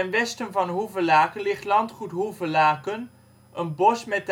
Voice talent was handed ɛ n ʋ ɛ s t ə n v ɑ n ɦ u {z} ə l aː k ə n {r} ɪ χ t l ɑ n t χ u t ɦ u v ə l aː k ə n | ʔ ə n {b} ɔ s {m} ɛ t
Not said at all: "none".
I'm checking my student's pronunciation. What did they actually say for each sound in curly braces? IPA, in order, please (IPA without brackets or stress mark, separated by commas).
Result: v, l, b, m